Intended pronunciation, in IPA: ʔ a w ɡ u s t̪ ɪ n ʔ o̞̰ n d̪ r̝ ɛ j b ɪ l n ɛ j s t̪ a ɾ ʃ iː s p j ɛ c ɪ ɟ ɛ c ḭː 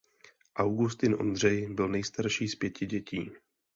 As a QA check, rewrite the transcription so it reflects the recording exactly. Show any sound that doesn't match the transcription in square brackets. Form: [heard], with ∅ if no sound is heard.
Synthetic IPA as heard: ʔ a w ɡ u s t̪ ɪ n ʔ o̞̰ n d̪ r̝ ɛ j b ɪ l n ɛ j s t̪ a ɾ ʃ iː s p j ɛ c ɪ ɟ ɛ c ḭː